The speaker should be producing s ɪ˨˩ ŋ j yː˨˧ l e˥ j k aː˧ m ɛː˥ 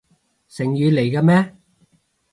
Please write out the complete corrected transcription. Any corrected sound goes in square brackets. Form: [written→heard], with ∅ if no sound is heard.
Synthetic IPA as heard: s ɪ˨˩ ŋ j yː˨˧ l [e˥→e˨˩] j k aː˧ m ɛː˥